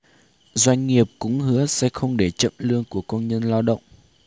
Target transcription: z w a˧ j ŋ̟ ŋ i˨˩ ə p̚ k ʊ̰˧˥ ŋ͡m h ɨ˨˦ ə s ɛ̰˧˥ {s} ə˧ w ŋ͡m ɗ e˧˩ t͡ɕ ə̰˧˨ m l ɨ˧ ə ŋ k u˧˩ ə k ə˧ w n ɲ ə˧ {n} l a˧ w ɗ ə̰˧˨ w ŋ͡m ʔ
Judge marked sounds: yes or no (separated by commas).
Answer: no, yes